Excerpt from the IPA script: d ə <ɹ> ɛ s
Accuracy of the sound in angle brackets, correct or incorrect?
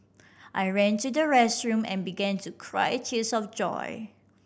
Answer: correct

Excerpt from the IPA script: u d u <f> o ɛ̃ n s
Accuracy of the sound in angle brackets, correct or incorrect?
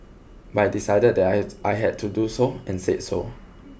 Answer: incorrect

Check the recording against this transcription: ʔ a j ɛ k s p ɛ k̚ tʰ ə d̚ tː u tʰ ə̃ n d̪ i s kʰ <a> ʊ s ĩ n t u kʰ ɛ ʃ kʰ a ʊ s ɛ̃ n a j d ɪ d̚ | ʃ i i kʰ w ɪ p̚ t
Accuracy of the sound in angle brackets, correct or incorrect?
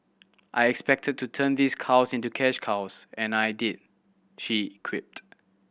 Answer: correct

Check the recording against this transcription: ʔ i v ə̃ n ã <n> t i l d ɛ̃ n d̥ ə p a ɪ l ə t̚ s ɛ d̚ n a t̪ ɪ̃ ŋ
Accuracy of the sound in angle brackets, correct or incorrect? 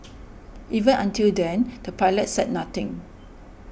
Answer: correct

